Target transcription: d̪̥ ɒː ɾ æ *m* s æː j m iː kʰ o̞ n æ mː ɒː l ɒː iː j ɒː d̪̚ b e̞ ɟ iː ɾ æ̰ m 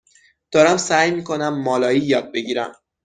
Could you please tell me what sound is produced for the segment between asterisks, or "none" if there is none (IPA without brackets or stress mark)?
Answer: m